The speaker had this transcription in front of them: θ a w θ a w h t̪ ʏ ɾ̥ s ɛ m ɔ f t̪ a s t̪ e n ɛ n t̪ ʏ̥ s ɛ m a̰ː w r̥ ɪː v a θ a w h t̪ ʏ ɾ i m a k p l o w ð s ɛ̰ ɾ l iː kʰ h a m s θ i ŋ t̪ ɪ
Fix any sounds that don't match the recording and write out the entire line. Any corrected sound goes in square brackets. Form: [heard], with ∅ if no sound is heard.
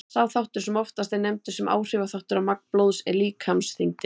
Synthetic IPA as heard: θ a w θ a w h t̪ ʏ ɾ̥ s ɛ m ɔ f t̪ a s t̪ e n ɛ [m] t̪ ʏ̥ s ɛ m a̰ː w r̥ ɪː v a θ a w h t̪ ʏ ɾ [a] m a k p l o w ð s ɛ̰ ɾ l iː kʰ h a m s θ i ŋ t̪ ɪ